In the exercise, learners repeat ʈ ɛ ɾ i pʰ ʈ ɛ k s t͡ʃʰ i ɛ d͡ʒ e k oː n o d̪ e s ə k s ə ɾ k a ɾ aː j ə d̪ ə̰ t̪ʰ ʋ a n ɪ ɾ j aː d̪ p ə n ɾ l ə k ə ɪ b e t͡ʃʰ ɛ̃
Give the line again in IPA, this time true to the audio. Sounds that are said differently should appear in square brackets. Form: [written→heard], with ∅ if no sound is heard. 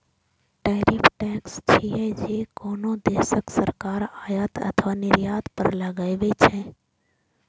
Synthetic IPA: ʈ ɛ ɾ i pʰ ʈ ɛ k s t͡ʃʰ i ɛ d͡ʒ e k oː n o d̪ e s ə k s ə ɾ k a ɾ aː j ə [d̪→t̪] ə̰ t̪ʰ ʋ a n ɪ ɾ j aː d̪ p ə [n→∅] ɾ l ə [k→ɡ] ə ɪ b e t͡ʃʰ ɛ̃